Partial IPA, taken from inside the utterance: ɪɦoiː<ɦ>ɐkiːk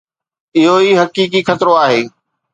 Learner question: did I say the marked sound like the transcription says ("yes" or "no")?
yes